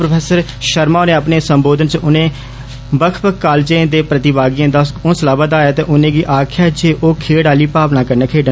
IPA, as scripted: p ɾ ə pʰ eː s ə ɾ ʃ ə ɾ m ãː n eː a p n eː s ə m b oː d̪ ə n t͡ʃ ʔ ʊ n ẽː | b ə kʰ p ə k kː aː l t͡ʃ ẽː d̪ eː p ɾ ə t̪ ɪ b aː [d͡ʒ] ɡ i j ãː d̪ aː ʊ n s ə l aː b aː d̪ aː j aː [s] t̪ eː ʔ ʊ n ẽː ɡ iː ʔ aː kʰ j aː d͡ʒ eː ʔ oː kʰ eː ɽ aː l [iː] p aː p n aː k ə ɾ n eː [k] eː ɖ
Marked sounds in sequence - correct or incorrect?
incorrect, incorrect, correct, incorrect

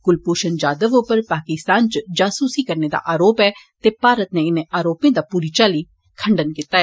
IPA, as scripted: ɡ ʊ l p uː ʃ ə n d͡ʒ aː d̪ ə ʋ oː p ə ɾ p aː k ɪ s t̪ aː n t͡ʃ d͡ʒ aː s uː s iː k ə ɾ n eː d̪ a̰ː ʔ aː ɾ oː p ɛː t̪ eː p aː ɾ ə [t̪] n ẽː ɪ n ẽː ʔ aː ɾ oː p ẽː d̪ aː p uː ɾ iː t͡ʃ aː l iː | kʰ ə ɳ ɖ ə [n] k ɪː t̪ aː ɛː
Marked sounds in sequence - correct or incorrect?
correct, correct

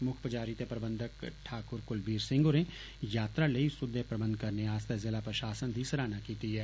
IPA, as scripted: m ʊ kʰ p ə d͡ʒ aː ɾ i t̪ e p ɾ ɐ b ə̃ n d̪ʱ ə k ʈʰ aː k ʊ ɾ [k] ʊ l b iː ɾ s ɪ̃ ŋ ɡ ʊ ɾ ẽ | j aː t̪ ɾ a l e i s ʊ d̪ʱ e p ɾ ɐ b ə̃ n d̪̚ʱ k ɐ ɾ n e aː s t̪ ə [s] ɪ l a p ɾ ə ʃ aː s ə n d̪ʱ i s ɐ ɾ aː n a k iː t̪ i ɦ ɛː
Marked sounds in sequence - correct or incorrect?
correct, incorrect

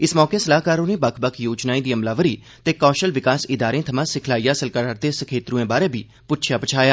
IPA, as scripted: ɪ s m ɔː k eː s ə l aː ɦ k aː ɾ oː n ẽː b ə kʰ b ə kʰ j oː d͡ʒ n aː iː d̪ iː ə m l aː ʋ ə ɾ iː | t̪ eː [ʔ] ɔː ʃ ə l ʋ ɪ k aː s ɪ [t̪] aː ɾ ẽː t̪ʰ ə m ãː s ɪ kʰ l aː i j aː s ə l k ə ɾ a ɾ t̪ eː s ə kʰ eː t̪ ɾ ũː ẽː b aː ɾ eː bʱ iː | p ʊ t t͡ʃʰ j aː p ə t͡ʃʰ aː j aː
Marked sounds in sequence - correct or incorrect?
incorrect, incorrect

